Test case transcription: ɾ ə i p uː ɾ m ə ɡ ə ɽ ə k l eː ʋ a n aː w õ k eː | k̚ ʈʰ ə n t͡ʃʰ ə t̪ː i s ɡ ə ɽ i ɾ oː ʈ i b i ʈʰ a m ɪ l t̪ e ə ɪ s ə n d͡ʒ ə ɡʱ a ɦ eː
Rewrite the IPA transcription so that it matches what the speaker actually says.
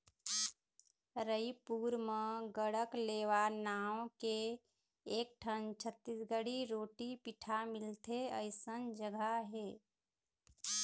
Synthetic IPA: ɾ ə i p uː ɾ m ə ɡ ə ɽ ə k l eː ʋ a n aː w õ k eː | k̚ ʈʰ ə n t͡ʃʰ ə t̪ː i s ɡ ə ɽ i ɾ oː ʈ i p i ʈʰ a m ɪ l t̪ e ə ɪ s ə n d͡ʒ ə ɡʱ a ɦ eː